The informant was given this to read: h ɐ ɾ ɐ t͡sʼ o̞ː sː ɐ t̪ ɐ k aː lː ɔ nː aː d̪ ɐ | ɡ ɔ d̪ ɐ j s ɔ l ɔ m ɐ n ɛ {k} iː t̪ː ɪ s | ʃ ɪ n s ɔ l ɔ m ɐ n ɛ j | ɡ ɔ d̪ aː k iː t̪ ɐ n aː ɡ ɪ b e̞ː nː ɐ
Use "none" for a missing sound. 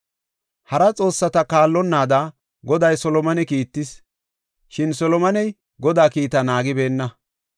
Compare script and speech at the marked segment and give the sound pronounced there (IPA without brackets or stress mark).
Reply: k